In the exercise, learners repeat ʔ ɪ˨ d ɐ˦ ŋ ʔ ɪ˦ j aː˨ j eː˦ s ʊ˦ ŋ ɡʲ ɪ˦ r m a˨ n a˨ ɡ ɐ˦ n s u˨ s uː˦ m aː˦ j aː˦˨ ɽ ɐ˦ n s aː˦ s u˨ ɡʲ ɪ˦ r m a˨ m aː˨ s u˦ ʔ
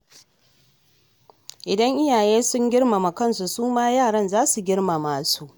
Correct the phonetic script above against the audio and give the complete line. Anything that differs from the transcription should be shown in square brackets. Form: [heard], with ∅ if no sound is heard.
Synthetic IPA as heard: ʔ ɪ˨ d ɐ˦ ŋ ʔ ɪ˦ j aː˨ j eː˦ s ʊ˦ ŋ ɡʲ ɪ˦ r m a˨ [m] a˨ [k] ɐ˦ n s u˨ s uː˦ m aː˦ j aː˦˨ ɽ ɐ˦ n [z] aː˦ s u˨ ɡʲ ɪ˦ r m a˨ m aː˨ s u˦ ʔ